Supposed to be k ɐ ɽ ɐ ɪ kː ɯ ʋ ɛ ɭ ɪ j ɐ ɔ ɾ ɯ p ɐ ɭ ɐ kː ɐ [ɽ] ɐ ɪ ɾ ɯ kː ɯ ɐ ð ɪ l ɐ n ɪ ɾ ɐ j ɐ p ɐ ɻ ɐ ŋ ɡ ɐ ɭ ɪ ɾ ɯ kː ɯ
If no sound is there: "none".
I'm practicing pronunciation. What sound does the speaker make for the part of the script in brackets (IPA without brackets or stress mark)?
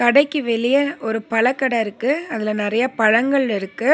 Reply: ɽ